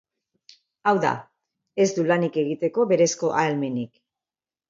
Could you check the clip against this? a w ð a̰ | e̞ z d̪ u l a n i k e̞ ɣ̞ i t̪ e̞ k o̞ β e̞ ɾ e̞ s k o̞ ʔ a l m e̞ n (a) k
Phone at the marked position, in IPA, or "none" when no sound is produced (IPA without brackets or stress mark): i